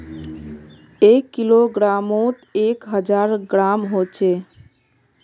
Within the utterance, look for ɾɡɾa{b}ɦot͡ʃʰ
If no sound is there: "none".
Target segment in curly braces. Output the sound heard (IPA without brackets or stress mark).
m